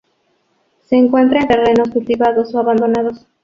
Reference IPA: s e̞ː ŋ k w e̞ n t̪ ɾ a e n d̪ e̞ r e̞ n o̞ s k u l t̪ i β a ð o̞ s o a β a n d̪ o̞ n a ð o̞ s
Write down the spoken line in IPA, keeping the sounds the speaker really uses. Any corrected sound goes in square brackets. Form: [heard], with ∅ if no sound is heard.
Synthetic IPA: s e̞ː ŋ k w e̞ n t̪ ɾ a e n [t̪] e̞ r e̞ n o̞ s k u l t̪ i β a ð o̞ s o a β a n d̪ o̞ n a ð o̞ s